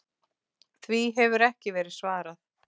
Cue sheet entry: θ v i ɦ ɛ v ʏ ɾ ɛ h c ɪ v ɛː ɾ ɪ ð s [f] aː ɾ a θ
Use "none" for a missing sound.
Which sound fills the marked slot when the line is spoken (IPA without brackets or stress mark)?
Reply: v